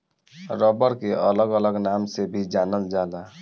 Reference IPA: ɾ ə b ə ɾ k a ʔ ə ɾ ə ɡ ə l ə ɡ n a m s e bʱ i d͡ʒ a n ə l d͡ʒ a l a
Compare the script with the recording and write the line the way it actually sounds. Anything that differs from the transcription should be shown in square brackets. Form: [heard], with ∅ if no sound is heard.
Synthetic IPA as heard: ɾ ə b ə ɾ k [e] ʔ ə [l] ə ɡ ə l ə ɡ n a m s e bʱ i d͡ʒ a n ə l d͡ʒ a l a